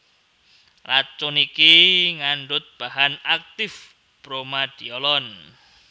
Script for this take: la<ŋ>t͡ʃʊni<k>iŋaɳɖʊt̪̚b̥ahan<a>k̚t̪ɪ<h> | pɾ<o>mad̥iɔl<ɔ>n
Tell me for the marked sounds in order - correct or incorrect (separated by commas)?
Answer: incorrect, correct, correct, incorrect, correct, correct